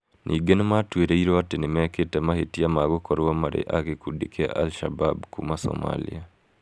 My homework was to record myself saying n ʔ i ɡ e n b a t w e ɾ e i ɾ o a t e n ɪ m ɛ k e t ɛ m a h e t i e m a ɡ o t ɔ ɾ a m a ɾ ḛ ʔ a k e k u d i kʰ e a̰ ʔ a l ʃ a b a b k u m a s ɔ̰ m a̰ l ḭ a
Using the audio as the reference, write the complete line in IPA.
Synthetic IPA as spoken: n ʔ i ɡ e n m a t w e ɾ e i ɾ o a t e n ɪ m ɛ k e t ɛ m a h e t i a m a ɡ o k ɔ ɾ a m a ɾ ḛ ʔ a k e k u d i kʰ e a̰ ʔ a l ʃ a b a b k u m a s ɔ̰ m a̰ l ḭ a